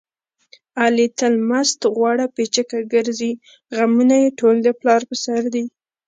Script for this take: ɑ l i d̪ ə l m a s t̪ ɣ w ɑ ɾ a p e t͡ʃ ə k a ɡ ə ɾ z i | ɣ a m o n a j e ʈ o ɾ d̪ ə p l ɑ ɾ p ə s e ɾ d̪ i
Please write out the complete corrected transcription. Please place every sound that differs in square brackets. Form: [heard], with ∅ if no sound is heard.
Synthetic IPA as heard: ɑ l i [t̪] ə l m a s t̪ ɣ w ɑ [ɽ] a p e t͡ʃ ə k a ɡ ə ɾ z i | ɣ a m [u] n a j e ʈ o [l] d̪ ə p l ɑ ɾ p ə s [a] ɾ d̪ i